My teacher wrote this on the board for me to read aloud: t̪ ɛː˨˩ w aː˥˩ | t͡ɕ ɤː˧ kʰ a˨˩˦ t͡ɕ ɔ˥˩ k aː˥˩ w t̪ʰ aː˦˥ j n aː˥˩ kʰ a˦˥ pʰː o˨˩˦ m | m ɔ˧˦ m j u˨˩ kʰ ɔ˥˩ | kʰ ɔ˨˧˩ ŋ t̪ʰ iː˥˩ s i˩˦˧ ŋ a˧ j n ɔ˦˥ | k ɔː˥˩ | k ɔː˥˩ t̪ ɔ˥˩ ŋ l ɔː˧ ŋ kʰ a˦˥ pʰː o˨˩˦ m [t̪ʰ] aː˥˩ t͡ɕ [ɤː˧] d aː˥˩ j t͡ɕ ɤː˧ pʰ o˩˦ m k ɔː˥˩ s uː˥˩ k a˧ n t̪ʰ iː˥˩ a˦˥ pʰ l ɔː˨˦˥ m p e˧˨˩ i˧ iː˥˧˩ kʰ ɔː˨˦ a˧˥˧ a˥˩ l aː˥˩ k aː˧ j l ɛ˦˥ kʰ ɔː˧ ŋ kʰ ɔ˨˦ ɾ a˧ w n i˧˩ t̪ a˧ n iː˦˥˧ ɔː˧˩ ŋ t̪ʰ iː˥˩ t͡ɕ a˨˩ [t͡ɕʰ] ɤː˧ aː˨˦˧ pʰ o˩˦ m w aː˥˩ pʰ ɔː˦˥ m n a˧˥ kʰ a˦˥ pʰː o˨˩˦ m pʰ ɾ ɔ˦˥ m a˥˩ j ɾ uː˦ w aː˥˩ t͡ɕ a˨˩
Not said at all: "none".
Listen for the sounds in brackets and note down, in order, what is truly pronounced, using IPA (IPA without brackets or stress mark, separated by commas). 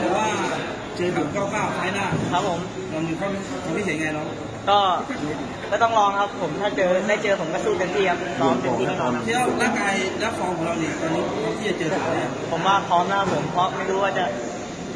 t̪ʰ, ɤː˧, t͡ɕ